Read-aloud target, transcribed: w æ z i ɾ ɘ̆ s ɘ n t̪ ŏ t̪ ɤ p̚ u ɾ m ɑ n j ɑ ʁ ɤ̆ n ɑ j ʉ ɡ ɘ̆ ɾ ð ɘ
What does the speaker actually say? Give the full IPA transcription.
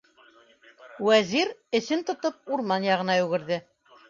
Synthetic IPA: w æ z i ɾ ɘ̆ s ɘ n t̪ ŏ t̪ ɤ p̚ u ɾ m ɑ n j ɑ ʁ ɤ̆ n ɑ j ʉ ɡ ɘ̆ ɾ ð ɘ